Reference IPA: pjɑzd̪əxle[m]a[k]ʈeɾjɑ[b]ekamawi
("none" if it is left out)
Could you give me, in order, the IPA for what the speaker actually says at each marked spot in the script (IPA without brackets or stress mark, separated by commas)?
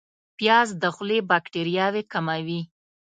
b, k, w